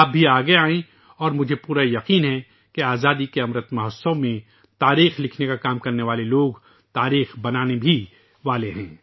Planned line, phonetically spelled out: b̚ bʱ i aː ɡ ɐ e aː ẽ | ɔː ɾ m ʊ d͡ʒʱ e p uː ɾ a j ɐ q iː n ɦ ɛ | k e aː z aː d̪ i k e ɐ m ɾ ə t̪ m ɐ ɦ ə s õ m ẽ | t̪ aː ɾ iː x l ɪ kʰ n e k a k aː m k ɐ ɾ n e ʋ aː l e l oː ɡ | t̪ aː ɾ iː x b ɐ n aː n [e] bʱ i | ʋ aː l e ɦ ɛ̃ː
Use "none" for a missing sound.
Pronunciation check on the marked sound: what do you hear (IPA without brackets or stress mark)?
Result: e